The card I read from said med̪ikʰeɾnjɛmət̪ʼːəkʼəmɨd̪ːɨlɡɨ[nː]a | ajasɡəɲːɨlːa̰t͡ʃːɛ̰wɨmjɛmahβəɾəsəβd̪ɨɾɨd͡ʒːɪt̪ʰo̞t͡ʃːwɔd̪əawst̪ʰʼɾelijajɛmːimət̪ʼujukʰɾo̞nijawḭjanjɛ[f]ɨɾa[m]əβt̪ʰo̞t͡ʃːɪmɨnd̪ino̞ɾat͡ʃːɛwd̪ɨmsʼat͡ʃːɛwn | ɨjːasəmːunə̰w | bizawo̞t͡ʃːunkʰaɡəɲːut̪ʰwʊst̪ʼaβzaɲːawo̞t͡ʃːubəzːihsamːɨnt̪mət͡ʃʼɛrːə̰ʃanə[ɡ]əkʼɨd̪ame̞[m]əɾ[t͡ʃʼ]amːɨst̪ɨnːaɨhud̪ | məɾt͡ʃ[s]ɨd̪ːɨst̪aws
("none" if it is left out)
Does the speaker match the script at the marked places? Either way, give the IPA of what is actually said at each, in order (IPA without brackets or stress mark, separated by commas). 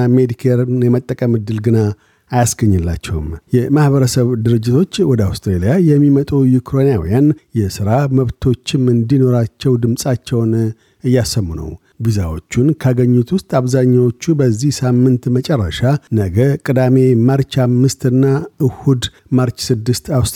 n, s, m, ɡ, m, t͡ʃ, s